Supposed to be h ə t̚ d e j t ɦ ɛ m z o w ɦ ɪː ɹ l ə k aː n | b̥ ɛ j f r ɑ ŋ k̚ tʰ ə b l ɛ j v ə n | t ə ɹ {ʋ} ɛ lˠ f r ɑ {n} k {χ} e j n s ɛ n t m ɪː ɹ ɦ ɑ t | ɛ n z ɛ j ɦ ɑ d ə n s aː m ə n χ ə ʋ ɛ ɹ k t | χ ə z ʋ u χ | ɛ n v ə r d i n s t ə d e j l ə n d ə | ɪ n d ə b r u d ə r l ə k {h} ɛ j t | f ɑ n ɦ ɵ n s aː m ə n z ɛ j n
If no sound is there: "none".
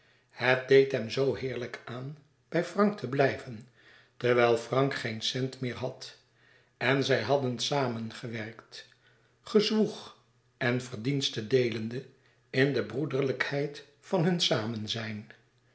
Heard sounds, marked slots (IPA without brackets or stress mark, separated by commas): ʋ, ŋ, χ, h